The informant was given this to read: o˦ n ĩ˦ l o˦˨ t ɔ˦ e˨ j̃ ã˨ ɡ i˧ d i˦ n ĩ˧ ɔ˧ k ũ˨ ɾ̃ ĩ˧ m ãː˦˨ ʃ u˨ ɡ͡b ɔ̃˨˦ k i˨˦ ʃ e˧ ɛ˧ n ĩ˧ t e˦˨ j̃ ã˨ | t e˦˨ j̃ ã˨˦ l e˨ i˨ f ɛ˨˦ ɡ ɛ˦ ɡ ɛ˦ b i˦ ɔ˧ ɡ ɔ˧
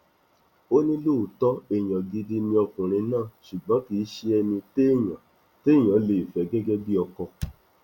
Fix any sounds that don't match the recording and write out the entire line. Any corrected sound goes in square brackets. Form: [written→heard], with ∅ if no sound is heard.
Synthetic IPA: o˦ n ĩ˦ l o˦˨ t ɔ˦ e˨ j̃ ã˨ ɡ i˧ d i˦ n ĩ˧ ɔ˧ k ũ˨ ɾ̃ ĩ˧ [m→n] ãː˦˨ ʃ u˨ ɡ͡b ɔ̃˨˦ k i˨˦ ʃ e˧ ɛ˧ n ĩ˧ t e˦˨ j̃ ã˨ | t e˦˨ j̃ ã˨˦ l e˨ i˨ f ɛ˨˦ ɡ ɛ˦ ɡ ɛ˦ b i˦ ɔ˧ [ɡ→k] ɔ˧